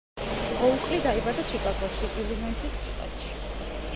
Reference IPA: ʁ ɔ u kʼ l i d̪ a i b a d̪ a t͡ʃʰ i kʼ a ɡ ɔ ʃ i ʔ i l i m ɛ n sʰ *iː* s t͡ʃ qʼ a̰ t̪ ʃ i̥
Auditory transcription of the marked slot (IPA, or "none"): i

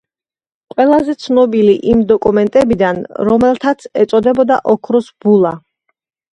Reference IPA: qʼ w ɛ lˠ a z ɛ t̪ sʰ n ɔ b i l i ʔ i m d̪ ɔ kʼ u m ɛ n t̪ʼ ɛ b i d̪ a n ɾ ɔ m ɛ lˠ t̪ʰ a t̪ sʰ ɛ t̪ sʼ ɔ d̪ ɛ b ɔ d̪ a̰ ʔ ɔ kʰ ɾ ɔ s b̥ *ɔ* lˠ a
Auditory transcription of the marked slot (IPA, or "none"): u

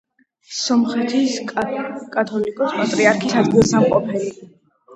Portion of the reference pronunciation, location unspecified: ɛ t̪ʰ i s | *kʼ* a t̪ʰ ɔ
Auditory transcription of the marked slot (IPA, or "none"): kʼ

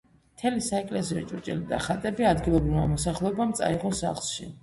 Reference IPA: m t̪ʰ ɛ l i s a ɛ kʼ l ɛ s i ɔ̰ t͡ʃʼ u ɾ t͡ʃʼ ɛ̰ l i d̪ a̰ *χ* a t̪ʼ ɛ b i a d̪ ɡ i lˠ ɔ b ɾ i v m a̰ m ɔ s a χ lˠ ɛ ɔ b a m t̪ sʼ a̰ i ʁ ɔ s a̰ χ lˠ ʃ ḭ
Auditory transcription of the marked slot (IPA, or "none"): χ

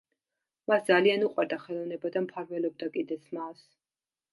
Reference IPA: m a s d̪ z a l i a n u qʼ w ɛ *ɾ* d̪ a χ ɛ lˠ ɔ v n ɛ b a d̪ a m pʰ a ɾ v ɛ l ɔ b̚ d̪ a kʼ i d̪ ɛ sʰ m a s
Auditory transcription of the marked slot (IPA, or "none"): ɾ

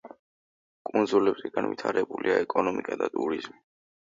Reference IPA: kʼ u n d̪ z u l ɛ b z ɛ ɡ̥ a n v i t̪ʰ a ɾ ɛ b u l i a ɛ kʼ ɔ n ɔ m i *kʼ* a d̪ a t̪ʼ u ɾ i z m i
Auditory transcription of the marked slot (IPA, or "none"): kʼ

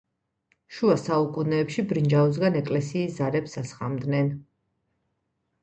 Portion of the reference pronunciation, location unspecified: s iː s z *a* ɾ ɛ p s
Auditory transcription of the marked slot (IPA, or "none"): a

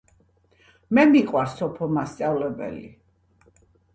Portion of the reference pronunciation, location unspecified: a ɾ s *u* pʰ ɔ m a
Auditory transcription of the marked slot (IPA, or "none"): ɔ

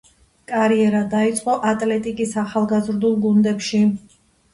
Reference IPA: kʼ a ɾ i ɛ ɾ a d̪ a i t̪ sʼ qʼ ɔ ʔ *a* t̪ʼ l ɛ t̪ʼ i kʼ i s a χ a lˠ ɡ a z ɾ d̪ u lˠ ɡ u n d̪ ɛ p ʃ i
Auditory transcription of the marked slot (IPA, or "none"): a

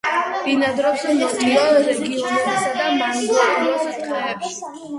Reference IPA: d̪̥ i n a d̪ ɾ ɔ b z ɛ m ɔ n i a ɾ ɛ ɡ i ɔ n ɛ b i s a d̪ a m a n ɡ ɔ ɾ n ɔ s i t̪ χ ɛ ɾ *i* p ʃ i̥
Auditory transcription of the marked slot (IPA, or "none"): ɛ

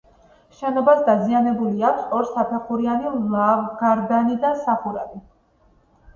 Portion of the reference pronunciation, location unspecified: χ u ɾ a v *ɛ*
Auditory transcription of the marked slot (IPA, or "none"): i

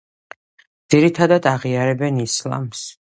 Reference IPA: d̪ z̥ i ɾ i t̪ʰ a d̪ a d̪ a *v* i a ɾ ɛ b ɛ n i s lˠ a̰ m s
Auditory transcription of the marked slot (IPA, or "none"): ʁ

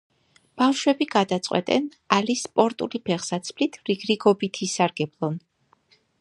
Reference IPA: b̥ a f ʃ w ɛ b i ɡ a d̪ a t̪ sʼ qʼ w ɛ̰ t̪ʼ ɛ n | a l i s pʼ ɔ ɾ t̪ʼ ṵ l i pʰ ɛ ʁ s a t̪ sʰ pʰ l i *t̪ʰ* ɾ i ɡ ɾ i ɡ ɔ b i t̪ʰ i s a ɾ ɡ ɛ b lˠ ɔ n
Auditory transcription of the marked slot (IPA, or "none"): t̪ʰ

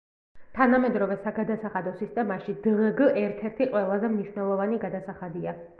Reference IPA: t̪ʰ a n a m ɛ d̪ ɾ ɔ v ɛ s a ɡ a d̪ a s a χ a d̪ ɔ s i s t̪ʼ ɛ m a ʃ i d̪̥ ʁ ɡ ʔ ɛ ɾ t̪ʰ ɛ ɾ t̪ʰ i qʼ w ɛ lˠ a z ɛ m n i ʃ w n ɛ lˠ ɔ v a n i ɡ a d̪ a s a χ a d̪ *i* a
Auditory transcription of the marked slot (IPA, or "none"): i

